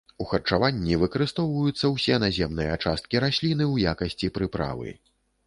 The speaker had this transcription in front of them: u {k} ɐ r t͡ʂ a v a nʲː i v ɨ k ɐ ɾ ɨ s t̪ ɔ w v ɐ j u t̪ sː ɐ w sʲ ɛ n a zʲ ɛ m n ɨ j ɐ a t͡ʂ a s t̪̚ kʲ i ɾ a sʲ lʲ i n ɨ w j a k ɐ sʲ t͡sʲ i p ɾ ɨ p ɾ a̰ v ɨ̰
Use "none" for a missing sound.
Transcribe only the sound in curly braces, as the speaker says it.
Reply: x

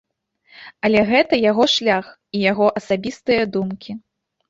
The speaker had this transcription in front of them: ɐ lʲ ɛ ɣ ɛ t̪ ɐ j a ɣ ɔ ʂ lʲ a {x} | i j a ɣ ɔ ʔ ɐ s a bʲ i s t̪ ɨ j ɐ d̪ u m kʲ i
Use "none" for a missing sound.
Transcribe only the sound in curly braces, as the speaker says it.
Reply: x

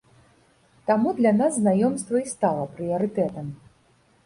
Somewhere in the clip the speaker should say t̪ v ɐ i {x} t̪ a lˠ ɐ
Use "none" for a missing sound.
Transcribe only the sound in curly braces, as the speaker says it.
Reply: s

